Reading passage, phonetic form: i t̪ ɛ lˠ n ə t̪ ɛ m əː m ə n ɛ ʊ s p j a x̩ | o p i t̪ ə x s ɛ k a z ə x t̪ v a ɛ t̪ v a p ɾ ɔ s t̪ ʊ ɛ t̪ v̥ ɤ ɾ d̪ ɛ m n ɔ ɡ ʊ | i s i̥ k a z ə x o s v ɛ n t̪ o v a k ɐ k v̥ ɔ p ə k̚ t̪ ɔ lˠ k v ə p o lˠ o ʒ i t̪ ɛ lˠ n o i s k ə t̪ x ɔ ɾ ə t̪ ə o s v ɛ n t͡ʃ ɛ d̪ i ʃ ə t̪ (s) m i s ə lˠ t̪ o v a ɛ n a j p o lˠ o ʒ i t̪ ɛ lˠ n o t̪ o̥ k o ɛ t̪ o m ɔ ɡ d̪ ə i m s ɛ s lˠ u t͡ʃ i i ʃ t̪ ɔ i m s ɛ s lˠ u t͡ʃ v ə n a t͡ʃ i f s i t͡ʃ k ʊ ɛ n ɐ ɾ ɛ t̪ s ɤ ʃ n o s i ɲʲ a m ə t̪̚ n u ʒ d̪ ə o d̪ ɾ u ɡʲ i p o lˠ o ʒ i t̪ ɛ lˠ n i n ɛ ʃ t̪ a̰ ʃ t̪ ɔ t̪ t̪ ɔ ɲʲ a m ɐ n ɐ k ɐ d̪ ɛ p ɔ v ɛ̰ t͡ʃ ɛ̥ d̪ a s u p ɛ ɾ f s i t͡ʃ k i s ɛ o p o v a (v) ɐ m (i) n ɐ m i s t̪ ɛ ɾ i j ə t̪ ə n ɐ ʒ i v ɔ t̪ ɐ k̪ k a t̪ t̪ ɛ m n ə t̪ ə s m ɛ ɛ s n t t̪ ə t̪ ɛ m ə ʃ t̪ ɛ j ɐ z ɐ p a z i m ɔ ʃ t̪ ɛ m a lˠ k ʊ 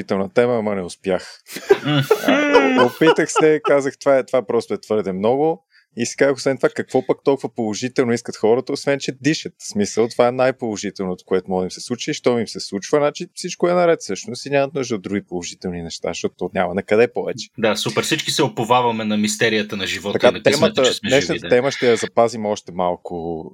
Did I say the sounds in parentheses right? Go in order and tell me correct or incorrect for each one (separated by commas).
correct, correct, incorrect